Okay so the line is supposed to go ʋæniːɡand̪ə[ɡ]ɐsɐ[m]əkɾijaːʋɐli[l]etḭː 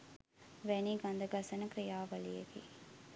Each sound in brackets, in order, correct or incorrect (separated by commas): correct, incorrect, incorrect